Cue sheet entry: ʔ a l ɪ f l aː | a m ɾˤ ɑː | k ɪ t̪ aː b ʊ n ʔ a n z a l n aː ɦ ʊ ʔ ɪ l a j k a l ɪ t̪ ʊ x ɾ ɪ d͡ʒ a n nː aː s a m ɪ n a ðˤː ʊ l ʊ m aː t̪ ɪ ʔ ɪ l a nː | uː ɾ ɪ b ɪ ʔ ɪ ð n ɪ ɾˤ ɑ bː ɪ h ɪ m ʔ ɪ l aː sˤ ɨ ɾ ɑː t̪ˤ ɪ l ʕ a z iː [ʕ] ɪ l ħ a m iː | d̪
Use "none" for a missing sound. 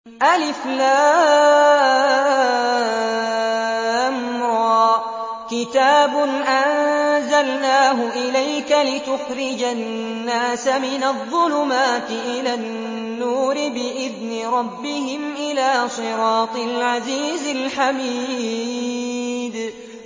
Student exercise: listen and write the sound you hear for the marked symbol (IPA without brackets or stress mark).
z